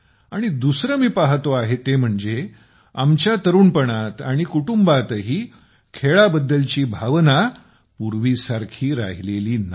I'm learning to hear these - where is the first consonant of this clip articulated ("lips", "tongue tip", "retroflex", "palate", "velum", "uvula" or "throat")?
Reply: retroflex